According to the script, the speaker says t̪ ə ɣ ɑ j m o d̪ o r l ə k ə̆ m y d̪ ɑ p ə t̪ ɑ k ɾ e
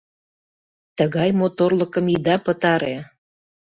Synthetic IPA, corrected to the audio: t̪ ə ɣ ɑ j m o t̪ o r l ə k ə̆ m i d̪ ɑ p ə t̪ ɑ ɾ e